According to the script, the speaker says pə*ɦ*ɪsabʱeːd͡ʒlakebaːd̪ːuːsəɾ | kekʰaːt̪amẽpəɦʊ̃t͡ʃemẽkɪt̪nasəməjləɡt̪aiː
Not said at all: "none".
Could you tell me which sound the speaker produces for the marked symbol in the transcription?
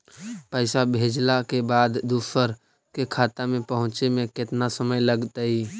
none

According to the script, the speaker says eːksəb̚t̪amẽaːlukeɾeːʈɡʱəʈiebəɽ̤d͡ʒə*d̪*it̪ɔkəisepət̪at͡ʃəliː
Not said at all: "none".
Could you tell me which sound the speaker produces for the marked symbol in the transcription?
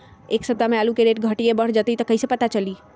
t̪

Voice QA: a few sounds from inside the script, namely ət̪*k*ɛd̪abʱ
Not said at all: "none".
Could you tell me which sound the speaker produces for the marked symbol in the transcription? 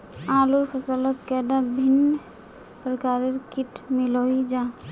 k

